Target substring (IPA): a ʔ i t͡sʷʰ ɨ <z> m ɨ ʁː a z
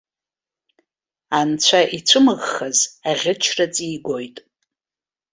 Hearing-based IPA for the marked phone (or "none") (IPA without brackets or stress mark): none